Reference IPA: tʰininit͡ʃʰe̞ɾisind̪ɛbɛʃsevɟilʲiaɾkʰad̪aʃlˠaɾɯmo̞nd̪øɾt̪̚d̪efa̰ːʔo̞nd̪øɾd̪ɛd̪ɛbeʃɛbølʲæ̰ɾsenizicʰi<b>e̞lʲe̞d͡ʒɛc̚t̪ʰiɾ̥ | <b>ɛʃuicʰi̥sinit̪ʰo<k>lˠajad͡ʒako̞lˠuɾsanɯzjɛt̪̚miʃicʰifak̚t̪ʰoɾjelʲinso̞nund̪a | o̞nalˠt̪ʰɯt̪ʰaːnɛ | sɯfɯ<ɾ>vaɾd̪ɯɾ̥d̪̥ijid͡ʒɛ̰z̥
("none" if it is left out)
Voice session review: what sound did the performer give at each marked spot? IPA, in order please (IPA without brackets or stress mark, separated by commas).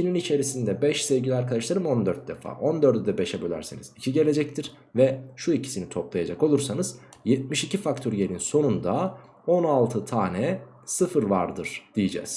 ɟ, v, p, ɾ